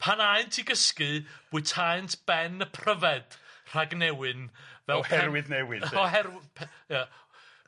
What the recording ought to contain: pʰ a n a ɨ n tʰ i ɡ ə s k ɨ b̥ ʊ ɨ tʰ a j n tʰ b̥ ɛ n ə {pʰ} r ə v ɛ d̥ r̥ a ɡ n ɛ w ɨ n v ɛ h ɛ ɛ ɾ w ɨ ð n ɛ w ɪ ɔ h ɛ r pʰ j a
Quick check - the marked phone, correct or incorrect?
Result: correct